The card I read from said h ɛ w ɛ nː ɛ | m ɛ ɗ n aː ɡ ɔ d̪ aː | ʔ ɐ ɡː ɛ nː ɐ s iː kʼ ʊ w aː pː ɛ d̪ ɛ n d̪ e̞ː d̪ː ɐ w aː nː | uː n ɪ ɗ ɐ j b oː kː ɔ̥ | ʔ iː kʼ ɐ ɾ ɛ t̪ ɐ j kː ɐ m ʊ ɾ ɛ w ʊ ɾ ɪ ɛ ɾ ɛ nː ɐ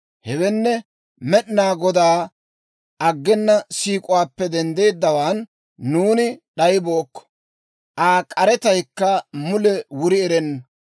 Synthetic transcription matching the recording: h ɛ w ɛ nː ɛ | m ɛ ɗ n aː ɡ ɔ d̪ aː | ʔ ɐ ɡː ɛ nː ɐ s iː kʼ ʊ w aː pː ɛ d̪ ɛ n d̪ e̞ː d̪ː ɐ w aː nː | uː n ɪ ɗ ɐ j b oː kː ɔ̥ | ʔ aː kʼ ɐ ɾ ɛ t̪ ɐ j kː ɐ m ʊ l ɛ w ʊ ɾ ɪ ɛ ɾ ɛ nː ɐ